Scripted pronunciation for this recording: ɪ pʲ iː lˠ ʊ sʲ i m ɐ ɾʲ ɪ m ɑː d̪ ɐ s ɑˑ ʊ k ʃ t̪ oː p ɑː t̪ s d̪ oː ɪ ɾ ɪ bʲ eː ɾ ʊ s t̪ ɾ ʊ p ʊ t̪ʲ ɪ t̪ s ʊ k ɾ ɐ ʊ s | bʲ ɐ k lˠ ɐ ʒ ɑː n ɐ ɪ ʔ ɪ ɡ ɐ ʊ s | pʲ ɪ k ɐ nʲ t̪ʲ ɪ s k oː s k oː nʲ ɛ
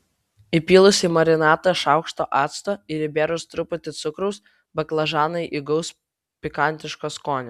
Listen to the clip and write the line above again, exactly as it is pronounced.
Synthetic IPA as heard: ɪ pʲ iː lˠ ʊ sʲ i m ɐ ɾʲ ɪ n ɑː t̪ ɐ ʃ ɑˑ ʊ k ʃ t̪ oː ʔ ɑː t̪ s t̪ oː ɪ ɾ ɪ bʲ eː ɾ ʊ s t̪ ɾ ʊ p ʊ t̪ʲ ɪ t̪ s ʊ k ɾ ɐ ʊ s | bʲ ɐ k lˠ ɐ ʒ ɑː n ɐ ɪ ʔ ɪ ɡ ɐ ʊ s | pʲ ɪ k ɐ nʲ t̪ʲ ɪ ʃ k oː s k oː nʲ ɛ